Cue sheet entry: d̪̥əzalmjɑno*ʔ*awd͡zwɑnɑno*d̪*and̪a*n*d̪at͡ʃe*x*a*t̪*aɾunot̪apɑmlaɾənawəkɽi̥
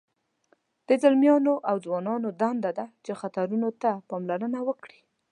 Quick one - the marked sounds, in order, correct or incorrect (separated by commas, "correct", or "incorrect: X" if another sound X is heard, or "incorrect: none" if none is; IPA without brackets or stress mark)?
correct, correct, incorrect: none, correct, correct